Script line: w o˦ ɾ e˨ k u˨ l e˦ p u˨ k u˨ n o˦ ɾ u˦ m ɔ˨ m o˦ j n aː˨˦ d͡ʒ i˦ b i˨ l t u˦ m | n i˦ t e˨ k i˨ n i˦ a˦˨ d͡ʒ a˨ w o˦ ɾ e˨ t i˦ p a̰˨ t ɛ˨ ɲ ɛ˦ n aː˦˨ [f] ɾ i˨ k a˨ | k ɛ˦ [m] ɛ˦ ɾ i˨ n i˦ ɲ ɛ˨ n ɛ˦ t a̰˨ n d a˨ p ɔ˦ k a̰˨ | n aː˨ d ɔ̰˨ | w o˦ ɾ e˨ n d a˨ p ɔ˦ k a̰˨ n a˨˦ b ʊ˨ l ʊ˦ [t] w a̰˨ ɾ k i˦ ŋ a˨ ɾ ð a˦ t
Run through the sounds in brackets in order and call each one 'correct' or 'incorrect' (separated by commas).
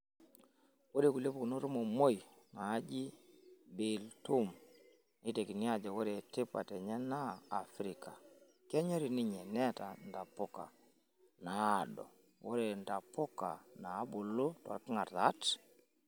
correct, incorrect, correct